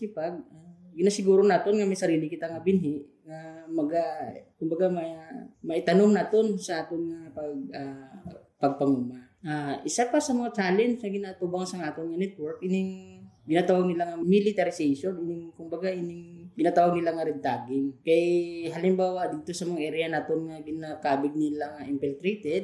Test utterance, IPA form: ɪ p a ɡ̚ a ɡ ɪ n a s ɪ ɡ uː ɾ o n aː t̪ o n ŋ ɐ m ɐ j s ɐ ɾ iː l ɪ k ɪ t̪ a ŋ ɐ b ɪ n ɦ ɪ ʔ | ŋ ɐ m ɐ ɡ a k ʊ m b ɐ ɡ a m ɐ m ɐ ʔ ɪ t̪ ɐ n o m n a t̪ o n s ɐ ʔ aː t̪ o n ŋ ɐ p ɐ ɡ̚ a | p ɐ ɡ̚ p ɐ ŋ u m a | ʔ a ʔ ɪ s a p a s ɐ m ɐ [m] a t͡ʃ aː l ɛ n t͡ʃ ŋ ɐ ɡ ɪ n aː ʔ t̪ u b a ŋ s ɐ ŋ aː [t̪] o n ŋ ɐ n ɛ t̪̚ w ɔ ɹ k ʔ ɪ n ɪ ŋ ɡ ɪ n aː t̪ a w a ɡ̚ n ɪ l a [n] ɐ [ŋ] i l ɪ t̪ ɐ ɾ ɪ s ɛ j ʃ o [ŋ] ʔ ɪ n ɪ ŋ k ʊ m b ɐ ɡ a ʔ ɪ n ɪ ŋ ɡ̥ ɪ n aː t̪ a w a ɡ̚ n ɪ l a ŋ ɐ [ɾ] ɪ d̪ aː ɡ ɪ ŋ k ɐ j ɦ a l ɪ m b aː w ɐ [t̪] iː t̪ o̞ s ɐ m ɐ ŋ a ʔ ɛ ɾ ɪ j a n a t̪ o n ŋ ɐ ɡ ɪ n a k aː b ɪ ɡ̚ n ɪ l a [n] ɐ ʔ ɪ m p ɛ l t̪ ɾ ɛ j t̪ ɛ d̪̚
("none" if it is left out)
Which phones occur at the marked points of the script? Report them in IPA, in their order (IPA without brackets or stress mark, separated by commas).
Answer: ŋ, t̪, ŋ, m, n, ɾ, d̪, ŋ